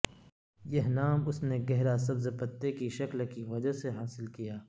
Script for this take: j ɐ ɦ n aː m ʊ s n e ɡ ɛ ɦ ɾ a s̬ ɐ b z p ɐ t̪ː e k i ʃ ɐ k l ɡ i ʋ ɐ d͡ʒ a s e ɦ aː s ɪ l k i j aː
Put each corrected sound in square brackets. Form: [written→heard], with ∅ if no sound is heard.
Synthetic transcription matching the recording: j ɐ ɦ n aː m ʊ s n e ɡ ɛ ɦ ɾ a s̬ ɐ b z p ɐ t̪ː e k i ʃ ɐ k l [ɡ→k] i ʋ ɐ d͡ʒ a s e ɦ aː s ɪ l k i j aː